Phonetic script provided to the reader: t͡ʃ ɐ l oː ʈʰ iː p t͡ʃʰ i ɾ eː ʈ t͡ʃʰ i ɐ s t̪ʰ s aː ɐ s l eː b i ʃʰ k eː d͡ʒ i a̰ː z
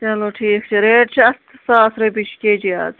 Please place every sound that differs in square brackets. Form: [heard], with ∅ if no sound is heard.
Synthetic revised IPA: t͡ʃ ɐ l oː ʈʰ iː [k] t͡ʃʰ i ɾ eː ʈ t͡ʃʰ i ɐ s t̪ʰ s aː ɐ s [ɾ] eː b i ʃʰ k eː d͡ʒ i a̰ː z